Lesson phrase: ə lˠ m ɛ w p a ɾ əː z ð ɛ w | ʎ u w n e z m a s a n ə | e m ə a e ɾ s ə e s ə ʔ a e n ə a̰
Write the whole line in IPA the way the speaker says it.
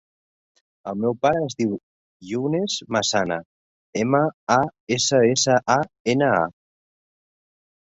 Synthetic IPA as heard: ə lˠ m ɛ w p a ɾ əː z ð i w | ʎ u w n e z m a s a n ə | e m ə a e s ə e s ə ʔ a e n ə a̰